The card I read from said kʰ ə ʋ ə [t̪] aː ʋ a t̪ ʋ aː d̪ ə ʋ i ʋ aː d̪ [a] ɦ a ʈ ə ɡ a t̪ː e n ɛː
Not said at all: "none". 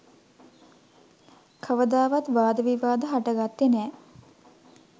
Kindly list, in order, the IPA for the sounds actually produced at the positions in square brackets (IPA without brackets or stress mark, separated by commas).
d̪, ə